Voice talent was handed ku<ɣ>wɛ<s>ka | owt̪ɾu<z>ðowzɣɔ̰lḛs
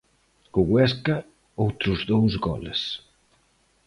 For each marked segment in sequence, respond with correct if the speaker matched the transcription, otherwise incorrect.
correct, correct, correct

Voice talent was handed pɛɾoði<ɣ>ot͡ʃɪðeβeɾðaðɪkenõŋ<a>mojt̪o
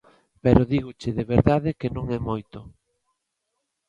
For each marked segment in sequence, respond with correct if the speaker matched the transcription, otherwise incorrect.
correct, incorrect

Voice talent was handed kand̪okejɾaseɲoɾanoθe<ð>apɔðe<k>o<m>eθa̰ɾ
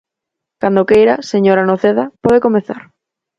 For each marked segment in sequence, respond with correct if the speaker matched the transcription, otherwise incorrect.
correct, correct, correct

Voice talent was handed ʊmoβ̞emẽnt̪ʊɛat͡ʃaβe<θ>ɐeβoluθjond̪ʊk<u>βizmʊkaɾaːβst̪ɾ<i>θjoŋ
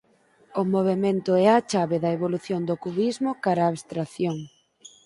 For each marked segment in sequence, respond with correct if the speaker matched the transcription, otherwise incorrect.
incorrect, correct, incorrect

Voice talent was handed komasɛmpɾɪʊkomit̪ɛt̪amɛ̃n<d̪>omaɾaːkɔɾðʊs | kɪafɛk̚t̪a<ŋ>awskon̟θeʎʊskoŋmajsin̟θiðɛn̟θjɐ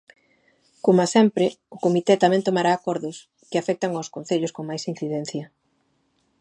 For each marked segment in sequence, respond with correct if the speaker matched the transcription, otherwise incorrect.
incorrect, correct

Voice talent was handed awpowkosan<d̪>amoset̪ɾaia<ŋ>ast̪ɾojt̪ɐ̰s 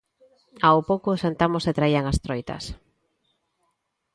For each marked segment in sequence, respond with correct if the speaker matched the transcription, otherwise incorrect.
incorrect, correct

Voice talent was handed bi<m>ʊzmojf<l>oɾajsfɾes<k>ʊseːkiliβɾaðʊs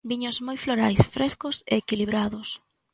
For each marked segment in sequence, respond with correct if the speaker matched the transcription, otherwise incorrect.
incorrect, correct, correct

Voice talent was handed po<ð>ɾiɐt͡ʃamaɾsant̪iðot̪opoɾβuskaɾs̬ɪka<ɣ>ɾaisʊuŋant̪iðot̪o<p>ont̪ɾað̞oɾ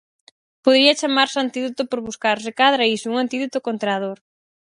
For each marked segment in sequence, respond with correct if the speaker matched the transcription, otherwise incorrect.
correct, incorrect, incorrect

